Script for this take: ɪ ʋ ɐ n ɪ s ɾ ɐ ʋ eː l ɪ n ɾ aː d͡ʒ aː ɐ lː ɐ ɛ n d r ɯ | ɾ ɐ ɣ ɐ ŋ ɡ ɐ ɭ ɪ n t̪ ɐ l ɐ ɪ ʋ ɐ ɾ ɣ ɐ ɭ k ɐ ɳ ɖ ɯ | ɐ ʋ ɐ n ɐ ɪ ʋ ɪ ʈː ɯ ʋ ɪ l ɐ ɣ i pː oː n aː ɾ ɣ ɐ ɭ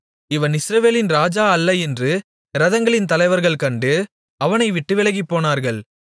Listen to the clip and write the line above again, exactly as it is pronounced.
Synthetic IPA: ɪ ʋ ɐ n ɪ s ɾ ɐ ʋ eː l ɪ n ɾ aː d͡ʒ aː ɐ lː ɐ ɛ n d r ɯ | ɾ ɐ ð ɐ ŋ ɡ ɐ ɭ ɪ n t̪ ɐ l ɐ ɪ ʋ ɐ ɾ ɣ ɐ ɭ k ɐ ɳ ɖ ɯ | ɐ ʋ ɐ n ɐ ɪ ʋ ɪ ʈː ɯ ʋ ɪ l ɐ ɣ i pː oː n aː ɾ ɣ ɐ ɭ

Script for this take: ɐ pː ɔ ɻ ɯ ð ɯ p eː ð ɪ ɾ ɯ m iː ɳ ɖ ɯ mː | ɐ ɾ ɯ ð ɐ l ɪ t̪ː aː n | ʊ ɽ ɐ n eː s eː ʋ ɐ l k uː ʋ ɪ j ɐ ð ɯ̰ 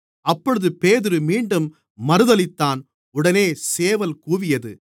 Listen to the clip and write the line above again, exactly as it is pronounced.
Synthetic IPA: ɐ pː ɔ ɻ ɯ ð ɯ p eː ð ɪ ɾ ɯ m iː ɳ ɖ ɯ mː | ɐ ɾ ɯ ð ɐ l ɪ t̪ː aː n | ʊ ɽ ɐ n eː s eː ʋ ɐ l k uː ʋ ɪ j ɐ ð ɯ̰

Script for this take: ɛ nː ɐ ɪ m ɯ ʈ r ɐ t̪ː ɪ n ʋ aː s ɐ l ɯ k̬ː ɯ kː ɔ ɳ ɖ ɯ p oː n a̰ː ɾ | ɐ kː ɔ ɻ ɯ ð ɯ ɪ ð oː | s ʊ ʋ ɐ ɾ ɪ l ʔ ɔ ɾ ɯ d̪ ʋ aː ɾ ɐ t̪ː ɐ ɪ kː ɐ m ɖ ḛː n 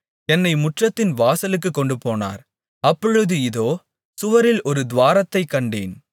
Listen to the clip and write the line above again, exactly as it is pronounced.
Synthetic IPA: ɛ nː ɐ ɪ m ʊ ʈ r ɐ t̪ː ɪ n ʋ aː s ɐ l ɯ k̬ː ɯ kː ɔ ɳ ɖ ɯ p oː n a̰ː ɾ | ɐ pː ɔ ɻ ɯ ð ɯ ɪ ð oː | s ʊ ʋ ɐ ɾ ɪ l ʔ ɔ ɾ ɯ d̪ ʋ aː ɾ ɐ t̪ː ɐ ɪ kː ɐ ɳ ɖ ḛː n

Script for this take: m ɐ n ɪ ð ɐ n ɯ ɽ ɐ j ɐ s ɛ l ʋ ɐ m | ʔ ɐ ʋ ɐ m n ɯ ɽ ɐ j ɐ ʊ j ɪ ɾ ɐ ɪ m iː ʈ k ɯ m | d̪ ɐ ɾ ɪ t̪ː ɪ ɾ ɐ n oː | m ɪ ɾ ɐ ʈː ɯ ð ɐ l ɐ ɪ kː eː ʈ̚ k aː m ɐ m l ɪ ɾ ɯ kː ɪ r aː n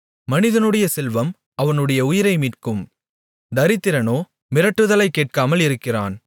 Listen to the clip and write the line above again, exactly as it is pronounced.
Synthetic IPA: m ɐ n ɪ ð ɐ n ɯ ɽ ɐ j ɐ s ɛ l ʋ ɐ m | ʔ ɐ ʋ ɐ n ɯ ɽ ɐ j ɐ ʊ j ɪ ɾ ɐ ɪ m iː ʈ k ɯ m | d̪ ɐ ɾ ɪ t̪ː ɪ ɾ ɐ n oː | m ɪ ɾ ɐ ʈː ɯ ð ɐ l ɐ ɪ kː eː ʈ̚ k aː m ɐ l ɪ ɾ ɯ kː ɪ r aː n

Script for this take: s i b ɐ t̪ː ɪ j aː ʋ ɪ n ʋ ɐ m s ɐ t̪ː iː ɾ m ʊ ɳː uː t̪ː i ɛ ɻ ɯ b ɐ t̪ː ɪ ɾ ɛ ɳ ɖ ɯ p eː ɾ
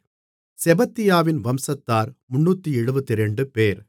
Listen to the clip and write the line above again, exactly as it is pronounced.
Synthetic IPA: s ɛ b ɐ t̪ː ɪ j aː ʋ ɪ n ʋ ɐ m s ɐ t̪ː aː ɾ m ʊ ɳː uː t̪ː i ɛ ɻ ɯ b ɐ t̪ː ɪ ɾ ɛ ɳ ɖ ɯ p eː ɾ

